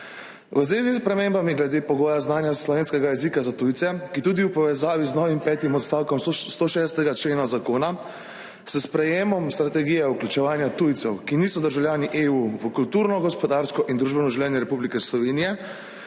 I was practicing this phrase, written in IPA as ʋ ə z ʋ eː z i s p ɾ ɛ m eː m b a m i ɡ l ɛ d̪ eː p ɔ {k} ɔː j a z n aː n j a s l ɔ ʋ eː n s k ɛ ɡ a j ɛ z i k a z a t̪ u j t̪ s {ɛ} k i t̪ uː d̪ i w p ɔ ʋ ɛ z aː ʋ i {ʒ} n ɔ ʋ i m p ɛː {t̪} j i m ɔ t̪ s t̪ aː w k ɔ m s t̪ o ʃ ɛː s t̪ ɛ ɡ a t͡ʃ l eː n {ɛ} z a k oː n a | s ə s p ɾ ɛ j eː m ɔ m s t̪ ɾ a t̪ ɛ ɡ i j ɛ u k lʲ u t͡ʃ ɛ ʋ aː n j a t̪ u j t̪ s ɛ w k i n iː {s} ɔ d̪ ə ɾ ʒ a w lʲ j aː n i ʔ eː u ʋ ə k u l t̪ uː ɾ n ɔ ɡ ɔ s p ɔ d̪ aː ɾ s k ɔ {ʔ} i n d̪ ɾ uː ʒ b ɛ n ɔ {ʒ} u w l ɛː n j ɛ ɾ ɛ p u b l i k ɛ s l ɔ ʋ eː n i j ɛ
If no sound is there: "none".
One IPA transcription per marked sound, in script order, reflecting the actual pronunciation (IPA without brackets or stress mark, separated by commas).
ɡ, ɛ, z, t̪, a, s, ʔ, ʒ